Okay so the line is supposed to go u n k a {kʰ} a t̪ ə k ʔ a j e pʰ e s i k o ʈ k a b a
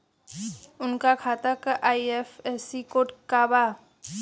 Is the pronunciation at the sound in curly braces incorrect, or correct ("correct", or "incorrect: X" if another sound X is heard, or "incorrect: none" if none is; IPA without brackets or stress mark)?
correct